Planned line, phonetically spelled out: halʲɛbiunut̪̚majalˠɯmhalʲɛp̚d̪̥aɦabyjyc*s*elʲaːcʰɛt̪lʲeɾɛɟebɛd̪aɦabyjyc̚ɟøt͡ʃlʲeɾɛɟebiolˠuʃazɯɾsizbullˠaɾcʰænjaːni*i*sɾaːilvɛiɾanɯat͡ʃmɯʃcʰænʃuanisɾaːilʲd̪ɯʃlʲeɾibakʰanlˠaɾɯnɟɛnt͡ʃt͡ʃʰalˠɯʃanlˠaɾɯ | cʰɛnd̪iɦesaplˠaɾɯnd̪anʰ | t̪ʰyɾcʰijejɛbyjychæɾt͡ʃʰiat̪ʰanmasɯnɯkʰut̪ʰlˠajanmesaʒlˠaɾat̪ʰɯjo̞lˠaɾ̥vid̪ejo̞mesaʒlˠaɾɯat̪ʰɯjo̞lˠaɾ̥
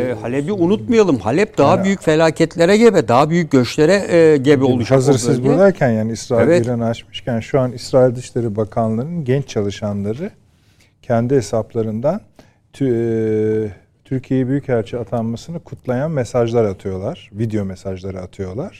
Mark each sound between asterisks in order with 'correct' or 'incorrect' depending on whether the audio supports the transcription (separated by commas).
incorrect, correct